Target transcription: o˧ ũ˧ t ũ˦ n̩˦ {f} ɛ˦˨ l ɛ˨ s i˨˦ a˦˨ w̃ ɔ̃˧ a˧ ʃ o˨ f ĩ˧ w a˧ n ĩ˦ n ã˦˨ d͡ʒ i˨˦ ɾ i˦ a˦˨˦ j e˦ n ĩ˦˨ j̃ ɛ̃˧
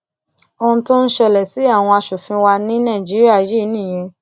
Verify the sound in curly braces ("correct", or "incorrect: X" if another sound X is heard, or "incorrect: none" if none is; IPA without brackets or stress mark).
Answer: incorrect: ʃ